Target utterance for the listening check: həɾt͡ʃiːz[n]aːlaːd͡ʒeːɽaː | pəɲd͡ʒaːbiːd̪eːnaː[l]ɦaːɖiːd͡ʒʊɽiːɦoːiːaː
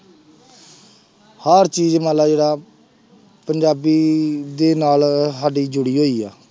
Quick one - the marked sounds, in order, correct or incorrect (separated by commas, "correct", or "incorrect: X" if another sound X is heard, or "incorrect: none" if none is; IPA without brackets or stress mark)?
incorrect: m, correct